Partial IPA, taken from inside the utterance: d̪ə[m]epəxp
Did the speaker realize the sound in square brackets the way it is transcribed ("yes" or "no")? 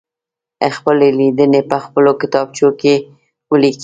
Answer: no